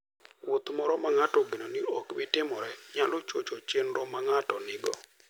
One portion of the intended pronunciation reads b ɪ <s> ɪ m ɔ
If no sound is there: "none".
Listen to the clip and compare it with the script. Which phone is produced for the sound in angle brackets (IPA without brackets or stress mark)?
t